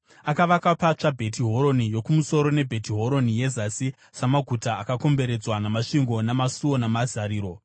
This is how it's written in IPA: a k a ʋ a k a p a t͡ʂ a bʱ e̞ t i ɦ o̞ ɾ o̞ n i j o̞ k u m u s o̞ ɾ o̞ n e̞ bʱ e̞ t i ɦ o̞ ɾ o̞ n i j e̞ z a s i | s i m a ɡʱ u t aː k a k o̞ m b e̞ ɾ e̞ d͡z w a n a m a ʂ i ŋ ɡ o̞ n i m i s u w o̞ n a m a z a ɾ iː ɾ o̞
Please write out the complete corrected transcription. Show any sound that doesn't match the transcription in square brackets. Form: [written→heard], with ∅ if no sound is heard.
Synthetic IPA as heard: a k a ʋ a k a p a t͡ʂ a bʱ e̞ t i ɦ o̞ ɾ o̞ n i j o̞ k u m u s o̞ ɾ o̞ n e̞ bʱ e̞ t i ɦ o̞ ɾ o̞ n i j e̞ z a s i | s [i→a] m a ɡʱ u t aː k a k o̞ m b e̞ ɾ e̞ d͡z w a n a m a ʂ i ŋ ɡ o̞ n [i→a] m [i→a] s u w o̞ n a m a z a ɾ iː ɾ o̞

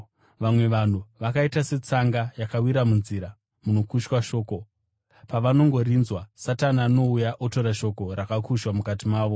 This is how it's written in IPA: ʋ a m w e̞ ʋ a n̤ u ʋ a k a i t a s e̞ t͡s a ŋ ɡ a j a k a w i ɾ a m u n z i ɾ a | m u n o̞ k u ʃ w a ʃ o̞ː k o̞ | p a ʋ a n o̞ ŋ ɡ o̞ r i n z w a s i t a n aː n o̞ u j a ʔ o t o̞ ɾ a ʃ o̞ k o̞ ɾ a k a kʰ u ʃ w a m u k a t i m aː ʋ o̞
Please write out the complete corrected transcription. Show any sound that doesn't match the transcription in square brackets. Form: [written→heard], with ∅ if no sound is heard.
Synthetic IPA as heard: ʋ a m w e̞ ʋ a n̤ u ʋ a k a i t a s e̞ t͡s a ŋ ɡ a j a k a w i ɾ a m u n z i ɾ a | m u n o̞ k u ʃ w a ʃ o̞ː k o̞ | p a ʋ a n o̞ ŋ ɡ o̞ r i n z w a s [i→a] t a n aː n o̞ u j a ʔ o t o̞ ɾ a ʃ o̞ k o̞ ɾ a k a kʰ u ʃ w a m u k a t i m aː ʋ o̞

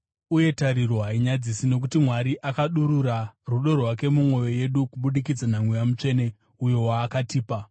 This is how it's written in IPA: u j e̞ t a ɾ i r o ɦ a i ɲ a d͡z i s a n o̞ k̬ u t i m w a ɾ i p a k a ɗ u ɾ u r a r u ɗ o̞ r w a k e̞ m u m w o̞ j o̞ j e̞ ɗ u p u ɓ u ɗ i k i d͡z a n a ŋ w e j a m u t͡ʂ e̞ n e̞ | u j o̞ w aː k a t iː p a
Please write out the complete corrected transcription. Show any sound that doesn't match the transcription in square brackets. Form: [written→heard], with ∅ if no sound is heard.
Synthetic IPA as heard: u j e̞ t a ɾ i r o ɦ a i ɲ a d͡z i s [a→i] n o̞ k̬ u t i m w a ɾ i [p→ʔ] a k a ɗ u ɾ u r a r u ɗ o̞ r w a k e̞ m u m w o̞ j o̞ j e̞ ɗ u [p→k] u ɓ u ɗ i k i d͡z a n a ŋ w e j a m u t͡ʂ e̞ n e̞ | u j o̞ w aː k a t iː p a

